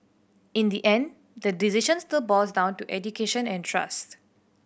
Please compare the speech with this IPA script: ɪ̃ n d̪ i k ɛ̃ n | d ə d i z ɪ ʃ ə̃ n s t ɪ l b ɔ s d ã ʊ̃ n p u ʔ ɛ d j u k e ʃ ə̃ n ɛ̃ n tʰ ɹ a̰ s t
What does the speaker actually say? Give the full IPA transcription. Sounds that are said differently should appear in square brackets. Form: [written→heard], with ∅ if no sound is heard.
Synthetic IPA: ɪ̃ n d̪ i [k→ʔ] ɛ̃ n | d ə d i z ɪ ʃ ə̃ n s t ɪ l b ɔ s d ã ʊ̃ n [p→t] u ʔ ɛ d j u k e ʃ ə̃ n ɛ̃ n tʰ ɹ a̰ s t